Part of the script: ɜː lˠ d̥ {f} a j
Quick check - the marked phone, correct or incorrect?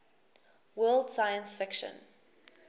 incorrect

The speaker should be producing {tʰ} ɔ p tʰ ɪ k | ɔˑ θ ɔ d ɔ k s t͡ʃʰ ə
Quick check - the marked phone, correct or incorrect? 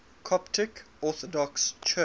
incorrect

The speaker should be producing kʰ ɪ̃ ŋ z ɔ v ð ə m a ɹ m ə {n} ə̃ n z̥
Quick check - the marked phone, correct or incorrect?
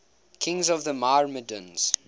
incorrect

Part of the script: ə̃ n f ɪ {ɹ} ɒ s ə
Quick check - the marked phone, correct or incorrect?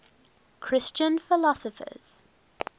incorrect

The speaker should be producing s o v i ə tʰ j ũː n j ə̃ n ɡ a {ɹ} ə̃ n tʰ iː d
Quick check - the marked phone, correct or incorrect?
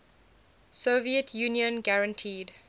correct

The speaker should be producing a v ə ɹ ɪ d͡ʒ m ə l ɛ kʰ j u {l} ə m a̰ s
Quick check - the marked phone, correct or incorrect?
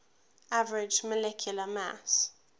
correct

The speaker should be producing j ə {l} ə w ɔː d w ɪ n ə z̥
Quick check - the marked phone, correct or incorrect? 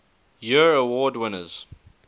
incorrect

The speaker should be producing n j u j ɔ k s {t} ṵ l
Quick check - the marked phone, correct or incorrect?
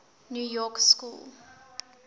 incorrect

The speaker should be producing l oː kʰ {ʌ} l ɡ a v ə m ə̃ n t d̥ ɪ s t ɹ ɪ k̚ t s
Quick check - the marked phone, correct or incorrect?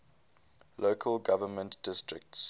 incorrect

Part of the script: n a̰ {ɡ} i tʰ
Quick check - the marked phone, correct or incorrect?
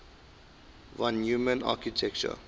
incorrect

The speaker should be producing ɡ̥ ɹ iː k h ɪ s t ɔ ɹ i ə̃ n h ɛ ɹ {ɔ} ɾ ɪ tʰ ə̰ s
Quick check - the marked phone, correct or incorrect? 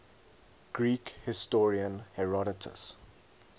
correct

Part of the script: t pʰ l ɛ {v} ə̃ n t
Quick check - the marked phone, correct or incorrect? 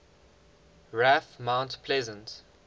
incorrect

